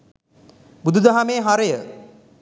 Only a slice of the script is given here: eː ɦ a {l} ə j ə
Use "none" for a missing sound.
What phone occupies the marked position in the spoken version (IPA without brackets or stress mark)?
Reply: ɾ